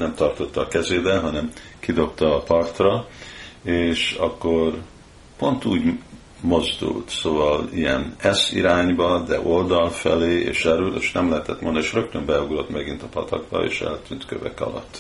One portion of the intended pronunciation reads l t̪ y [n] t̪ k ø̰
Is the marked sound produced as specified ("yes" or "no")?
yes